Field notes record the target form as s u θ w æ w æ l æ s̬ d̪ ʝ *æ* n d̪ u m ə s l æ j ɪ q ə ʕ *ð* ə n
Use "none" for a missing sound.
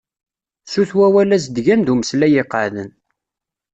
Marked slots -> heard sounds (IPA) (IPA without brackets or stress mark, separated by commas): æ, ð